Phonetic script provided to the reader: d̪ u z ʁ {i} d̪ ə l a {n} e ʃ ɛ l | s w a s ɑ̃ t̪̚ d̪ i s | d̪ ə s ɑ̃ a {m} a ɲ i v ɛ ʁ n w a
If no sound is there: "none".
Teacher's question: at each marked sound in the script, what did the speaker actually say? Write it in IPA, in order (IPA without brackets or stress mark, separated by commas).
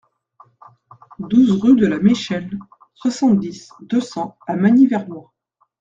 y, m, m